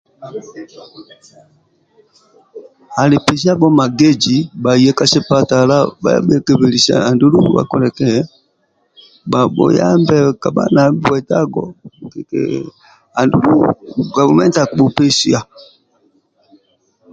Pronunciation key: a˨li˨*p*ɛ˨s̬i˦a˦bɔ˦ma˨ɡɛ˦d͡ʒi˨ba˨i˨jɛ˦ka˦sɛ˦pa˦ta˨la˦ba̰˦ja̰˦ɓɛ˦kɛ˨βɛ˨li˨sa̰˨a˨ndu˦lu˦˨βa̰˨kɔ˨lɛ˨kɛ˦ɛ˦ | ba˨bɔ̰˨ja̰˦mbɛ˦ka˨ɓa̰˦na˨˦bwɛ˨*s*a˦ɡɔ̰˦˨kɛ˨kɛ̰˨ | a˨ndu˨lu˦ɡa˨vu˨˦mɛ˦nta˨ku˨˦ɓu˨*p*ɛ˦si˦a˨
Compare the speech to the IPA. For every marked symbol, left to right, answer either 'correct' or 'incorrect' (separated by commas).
correct, incorrect, correct